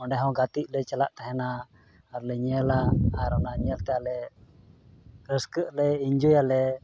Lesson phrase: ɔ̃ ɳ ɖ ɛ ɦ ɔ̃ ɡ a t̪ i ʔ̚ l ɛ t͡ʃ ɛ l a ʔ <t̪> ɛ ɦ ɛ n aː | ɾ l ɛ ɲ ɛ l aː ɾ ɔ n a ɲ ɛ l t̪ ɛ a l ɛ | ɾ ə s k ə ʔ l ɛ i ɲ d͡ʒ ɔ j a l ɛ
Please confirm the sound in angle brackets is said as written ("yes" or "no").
yes